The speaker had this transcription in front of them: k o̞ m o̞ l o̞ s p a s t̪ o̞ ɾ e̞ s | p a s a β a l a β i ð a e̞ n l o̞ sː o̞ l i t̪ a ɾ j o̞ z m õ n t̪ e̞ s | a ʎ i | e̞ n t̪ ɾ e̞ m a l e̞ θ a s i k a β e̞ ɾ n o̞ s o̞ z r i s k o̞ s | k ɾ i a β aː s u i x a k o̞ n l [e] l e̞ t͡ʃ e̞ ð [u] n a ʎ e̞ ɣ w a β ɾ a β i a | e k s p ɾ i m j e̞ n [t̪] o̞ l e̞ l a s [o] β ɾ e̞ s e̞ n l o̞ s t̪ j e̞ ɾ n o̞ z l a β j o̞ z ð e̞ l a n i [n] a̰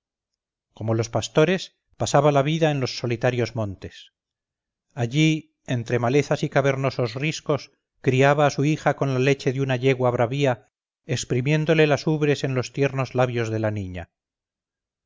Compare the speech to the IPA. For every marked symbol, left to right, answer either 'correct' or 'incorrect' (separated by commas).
incorrect, correct, incorrect, incorrect, incorrect